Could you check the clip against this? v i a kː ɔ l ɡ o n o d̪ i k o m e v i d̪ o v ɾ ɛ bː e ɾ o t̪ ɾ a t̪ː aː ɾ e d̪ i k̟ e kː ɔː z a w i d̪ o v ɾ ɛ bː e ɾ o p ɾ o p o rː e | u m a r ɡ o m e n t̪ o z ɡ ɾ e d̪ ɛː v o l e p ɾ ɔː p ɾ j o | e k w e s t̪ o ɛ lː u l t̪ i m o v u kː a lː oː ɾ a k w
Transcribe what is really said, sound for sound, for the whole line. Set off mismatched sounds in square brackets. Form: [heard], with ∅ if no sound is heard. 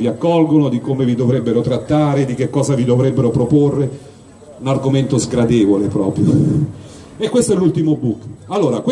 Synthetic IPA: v i a kː ɔ l ɡ o n o d̪ i k o m e v i d̪ o v ɾ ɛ bː e ɾ o t̪ ɾ a t̪ː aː ɾ e d̪ i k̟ e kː ɔː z a [v] i d̪ o v ɾ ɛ bː e ɾ o p ɾ o p o rː e | u [n] a r ɡ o m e n t̪ o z ɡ ɾ [a] d̪ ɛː v o l e p ɾ ɔː p ɾ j o | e k w e s t̪ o ɛ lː u l t̪ i m o [b] u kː a lː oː ɾ a k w